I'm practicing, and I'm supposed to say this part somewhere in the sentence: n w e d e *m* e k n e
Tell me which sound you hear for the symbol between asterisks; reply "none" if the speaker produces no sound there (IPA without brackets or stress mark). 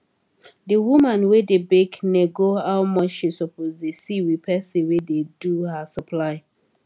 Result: b